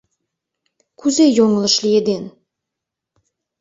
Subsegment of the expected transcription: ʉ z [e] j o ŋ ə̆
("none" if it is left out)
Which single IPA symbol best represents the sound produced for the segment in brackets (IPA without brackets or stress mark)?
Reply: e